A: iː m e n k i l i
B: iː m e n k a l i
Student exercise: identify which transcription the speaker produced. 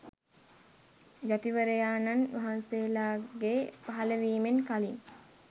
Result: B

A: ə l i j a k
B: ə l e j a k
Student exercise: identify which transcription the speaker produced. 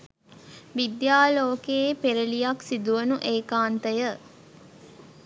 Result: A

